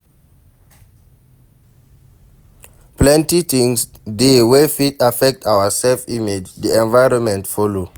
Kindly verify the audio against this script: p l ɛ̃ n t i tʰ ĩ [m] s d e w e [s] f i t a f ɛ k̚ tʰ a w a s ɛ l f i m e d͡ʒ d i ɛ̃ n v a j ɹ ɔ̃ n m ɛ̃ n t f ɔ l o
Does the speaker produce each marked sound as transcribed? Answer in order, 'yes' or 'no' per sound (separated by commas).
no, no